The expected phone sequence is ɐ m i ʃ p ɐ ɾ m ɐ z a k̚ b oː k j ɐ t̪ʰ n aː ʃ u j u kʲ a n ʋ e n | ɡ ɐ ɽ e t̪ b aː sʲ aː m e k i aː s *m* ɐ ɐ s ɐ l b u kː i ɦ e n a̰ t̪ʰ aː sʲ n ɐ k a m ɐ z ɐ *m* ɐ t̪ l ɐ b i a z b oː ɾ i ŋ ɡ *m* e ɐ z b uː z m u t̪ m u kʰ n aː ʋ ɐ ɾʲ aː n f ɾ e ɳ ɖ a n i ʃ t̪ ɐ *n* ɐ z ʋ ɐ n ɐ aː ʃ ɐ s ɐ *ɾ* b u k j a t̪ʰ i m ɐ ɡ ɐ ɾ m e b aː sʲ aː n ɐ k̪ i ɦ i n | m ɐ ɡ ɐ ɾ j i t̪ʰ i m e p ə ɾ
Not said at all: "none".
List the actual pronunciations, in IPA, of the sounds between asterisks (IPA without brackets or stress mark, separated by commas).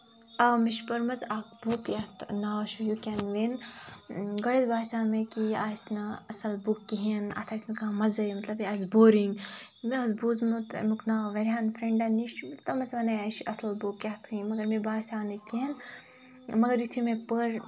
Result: n, m, m, m, l